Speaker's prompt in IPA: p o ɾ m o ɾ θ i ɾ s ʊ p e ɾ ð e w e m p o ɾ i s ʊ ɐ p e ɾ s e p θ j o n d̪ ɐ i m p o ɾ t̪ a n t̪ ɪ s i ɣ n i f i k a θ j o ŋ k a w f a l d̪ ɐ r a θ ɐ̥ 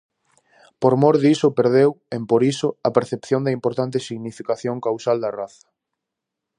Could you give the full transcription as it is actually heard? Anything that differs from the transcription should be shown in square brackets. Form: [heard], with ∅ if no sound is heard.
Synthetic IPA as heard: p o ɾ m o ɾ [ð] i [∅] s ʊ p e ɾ ð e w e m p o ɾ i s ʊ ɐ p e ɾ [θ] e p θ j o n d̪ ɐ i m p o ɾ t̪ a n t̪ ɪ s i ɣ n i f i k a θ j o ŋ k a w [s] a l d̪ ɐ r a θ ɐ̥